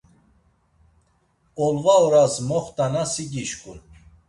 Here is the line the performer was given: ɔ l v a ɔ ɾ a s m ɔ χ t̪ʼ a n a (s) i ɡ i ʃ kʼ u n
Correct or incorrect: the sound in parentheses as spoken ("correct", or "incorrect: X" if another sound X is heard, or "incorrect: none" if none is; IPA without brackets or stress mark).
correct